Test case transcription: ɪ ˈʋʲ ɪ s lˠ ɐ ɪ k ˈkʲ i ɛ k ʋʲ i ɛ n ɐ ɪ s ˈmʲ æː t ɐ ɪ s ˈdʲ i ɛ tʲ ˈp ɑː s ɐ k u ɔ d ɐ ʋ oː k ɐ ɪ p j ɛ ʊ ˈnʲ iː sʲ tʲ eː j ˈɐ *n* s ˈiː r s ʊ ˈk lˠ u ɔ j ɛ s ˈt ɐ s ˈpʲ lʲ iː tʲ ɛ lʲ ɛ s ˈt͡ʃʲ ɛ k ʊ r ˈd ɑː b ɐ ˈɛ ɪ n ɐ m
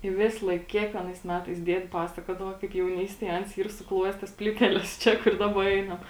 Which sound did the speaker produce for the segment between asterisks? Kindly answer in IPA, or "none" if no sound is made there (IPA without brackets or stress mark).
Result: n